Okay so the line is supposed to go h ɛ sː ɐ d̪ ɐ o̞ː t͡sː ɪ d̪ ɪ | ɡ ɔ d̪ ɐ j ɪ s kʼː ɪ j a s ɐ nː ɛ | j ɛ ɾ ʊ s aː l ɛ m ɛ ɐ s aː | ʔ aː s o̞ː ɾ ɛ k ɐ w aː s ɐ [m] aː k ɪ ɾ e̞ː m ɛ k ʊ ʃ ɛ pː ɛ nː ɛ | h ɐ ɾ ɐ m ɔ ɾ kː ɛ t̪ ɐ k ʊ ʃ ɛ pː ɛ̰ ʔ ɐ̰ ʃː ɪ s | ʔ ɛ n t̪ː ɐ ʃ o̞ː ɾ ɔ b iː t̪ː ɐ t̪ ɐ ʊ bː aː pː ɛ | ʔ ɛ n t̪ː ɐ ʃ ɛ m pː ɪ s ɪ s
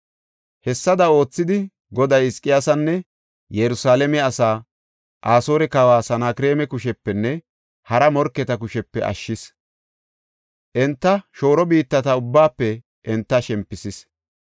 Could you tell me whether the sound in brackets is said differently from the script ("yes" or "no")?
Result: yes